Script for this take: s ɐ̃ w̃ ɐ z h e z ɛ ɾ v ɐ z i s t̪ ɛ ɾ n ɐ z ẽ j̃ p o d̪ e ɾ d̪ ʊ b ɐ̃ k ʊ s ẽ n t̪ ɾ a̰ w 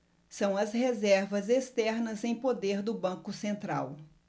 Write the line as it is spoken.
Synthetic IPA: s ɐ̃ w̃ ɐ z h e z ɛ ɾ v ɐ z e s t̪ ɛ ɾ n ɐ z ẽ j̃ p o d̪ e ɾ d̪ ʊ b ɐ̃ k ʊ s ẽ n t̪ ɾ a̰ w